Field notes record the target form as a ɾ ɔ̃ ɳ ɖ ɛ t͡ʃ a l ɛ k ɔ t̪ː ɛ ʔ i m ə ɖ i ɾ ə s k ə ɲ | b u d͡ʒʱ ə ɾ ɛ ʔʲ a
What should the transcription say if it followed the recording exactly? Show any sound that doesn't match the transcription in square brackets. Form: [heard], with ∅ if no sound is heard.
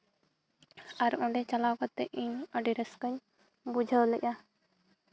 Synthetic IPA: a ɾ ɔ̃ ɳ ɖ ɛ t͡ʃ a l [a] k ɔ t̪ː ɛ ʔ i [ɲ] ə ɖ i ɾ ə s k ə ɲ | b u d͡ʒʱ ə [l] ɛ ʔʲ a